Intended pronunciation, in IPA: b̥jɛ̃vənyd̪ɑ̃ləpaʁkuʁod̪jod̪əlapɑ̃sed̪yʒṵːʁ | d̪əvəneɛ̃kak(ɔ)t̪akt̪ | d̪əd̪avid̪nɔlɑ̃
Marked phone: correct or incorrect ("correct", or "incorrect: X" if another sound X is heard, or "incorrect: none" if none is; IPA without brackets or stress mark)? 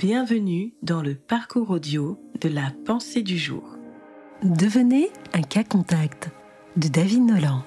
incorrect: ɔ̃